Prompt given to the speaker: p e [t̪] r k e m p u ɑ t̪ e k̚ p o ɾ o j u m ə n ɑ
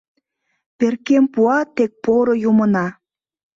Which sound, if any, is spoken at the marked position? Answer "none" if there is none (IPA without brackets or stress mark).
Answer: none